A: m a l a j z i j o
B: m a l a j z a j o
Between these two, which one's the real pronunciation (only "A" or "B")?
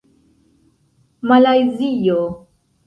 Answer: A